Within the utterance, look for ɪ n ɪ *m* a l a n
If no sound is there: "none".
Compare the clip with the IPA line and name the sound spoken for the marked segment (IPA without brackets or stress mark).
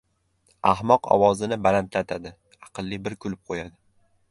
b